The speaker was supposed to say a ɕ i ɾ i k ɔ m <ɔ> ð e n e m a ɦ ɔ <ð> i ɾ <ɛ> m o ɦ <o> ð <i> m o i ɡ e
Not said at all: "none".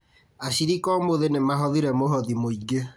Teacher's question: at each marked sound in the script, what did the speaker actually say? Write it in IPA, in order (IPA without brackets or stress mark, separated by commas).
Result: o, ð, ɛ, ɔ, i